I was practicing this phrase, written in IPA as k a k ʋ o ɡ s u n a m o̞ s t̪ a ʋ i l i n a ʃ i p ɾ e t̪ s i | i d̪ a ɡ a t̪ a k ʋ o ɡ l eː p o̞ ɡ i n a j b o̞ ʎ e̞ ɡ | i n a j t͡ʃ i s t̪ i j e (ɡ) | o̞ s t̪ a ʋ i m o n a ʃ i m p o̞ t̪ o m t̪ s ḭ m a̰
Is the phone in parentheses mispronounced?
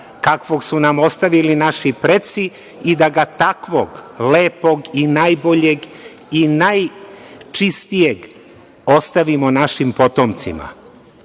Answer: no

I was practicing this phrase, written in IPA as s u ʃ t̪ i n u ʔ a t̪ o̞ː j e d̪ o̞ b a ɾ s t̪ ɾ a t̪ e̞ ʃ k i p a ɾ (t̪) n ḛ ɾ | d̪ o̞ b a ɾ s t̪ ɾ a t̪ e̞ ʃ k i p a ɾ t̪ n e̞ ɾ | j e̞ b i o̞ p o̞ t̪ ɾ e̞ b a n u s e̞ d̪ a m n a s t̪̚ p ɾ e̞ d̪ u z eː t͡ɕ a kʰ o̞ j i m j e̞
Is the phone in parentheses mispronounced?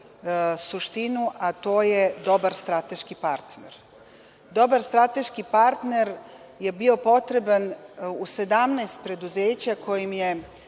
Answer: no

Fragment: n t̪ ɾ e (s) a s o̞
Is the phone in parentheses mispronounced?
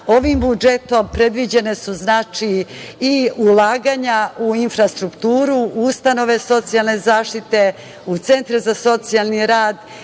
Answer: yes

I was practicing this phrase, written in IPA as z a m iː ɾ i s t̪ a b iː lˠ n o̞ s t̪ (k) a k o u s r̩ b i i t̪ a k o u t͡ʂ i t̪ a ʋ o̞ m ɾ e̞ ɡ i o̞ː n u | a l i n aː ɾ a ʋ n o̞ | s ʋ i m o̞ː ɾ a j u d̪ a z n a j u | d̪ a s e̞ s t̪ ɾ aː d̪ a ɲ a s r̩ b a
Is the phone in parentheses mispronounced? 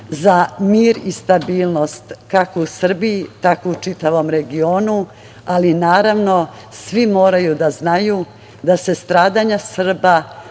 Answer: no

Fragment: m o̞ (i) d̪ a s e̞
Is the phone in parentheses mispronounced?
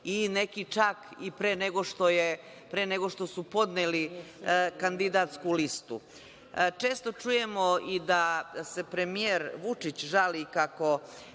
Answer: no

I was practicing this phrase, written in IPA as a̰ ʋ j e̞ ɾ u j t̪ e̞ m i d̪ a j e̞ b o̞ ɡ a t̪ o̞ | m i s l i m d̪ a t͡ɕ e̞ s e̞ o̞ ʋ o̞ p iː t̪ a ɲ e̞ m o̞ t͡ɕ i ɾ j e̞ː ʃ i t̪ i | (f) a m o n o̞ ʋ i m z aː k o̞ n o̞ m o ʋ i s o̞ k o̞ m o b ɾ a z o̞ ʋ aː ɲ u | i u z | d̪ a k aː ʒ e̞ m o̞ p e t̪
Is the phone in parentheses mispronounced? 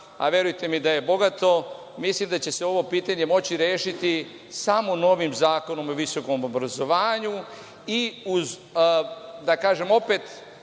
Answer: yes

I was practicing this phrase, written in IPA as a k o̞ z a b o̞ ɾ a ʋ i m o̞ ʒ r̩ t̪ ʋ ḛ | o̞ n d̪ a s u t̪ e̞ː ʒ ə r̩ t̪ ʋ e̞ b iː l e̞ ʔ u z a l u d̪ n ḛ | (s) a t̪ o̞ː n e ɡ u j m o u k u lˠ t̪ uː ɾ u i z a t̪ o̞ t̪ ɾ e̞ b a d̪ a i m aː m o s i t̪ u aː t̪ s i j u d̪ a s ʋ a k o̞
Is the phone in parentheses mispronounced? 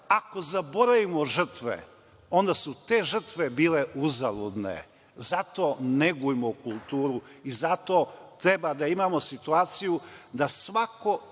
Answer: yes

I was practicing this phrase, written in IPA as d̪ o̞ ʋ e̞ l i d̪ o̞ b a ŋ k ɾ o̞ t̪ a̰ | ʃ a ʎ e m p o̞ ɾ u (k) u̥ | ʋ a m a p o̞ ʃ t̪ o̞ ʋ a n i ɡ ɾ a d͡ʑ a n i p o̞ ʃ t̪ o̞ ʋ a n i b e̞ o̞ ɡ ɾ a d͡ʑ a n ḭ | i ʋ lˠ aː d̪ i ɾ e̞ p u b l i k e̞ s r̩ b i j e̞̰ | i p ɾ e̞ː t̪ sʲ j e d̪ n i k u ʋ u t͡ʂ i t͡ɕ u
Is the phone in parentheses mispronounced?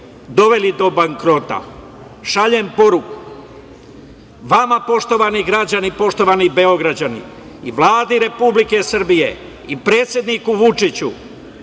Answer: no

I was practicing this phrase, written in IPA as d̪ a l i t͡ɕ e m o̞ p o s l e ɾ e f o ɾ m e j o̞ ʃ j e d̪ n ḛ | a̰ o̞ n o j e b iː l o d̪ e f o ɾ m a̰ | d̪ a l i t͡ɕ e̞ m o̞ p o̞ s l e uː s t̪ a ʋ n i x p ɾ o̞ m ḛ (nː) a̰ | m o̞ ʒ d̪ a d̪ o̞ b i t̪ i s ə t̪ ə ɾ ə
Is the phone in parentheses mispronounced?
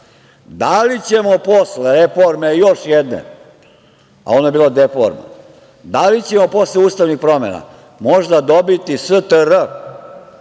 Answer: yes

